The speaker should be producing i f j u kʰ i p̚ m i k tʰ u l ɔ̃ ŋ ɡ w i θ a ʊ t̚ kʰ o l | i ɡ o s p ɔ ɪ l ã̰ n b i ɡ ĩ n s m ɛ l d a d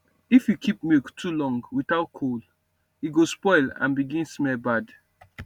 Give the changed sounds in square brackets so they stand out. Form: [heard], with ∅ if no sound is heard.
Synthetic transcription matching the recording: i f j u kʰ i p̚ m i k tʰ u l ɔ̃ ŋ ɡ w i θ a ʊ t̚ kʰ o l | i ɡ o s p ɔ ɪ l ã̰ n b i ɡ ĩ n s m ɛ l [b] a d